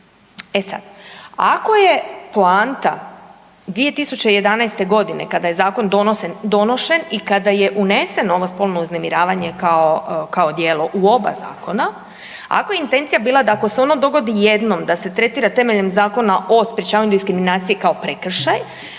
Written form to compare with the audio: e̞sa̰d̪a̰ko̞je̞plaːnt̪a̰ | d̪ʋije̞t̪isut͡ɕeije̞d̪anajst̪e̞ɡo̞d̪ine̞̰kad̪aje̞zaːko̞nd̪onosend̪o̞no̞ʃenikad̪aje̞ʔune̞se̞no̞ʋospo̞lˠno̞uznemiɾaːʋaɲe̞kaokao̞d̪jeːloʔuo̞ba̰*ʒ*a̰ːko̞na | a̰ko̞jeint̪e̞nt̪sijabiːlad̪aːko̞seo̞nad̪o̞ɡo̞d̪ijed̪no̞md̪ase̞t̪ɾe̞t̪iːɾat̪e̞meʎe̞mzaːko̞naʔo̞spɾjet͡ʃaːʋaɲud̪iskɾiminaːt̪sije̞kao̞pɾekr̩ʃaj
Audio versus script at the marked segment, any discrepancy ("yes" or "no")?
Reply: yes